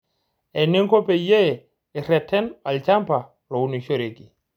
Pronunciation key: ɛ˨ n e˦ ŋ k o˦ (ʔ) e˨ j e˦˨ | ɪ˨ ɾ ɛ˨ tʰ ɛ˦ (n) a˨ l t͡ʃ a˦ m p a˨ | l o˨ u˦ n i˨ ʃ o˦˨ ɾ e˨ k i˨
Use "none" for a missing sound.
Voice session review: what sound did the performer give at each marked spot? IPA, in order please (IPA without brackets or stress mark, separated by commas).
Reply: p, n